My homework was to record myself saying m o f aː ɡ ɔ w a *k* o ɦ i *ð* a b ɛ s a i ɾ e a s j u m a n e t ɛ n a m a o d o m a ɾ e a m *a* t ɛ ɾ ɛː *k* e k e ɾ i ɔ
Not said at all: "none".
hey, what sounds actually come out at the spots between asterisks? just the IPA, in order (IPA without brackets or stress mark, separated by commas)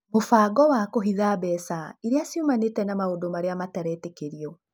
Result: k, ð, a, t